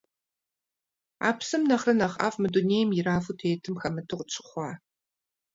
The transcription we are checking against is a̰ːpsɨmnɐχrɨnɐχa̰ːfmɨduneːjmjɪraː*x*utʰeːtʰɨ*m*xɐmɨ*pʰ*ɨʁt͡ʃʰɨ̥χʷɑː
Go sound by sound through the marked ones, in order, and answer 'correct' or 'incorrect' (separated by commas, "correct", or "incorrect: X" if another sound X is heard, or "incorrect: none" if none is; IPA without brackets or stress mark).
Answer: incorrect: f, correct, incorrect: tʰ